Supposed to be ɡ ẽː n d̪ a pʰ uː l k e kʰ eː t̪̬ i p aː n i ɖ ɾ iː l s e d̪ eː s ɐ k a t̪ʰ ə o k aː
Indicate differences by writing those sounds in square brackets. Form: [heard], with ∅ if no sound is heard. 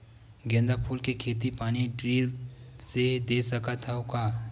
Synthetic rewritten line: ɡ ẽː n d̪ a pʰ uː l k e kʰ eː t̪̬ i p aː n i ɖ ɾ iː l s e d̪ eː s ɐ k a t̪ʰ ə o k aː